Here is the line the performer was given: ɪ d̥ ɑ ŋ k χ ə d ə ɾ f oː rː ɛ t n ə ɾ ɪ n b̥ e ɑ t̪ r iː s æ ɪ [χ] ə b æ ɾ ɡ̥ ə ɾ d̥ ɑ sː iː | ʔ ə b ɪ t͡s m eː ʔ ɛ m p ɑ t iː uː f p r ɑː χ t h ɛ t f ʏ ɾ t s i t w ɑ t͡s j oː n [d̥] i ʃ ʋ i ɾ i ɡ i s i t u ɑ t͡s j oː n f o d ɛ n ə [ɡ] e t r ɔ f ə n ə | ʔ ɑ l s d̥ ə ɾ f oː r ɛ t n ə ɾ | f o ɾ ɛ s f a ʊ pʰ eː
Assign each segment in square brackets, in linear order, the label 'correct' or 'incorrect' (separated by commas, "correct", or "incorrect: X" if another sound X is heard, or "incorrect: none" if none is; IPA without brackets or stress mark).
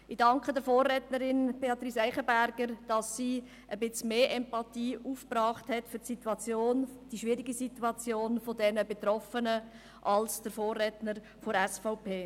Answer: correct, correct, incorrect: b